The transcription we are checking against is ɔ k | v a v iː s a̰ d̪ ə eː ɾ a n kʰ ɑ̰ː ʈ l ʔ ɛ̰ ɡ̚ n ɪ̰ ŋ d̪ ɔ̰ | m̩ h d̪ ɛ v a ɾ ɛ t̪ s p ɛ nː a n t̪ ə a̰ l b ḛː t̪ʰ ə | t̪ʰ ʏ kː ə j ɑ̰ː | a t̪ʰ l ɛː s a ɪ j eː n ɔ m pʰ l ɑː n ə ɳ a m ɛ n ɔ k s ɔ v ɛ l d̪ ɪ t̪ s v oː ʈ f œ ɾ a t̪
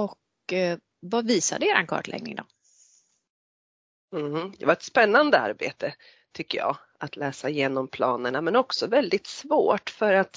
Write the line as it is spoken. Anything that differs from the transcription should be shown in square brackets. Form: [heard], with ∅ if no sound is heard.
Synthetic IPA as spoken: ɔ k | v a v iː s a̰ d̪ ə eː ɾ a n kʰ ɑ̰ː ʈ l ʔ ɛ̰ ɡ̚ n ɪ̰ ŋ d̪ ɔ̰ | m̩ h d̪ ɛ v a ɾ ɛ t̪ s p ɛ nː a n [d̪] ə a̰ [ɾ] b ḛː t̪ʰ ə | t̪ʰ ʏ kː ə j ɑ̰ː | a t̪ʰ l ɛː s a ɪ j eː n ɔ m pʰ l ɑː n ə ɳ a m ɛ n ɔ k s ɔ v ɛ l d̪ ɪ t̪ s v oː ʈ f œ ɾ a t̪